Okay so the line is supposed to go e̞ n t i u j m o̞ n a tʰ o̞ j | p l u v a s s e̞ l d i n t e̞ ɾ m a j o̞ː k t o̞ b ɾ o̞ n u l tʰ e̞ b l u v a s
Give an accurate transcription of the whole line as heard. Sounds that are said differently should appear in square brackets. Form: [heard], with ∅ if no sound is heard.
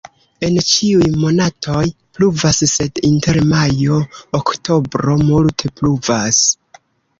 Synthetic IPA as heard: e̞ n [t͡ʃ] i u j m o̞ n a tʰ o̞ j | p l u v a s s e̞ [∅] d i n t e̞ ɾ m a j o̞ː k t o̞ b ɾ o̞ [m] u l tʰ e̞ [p] l u v a s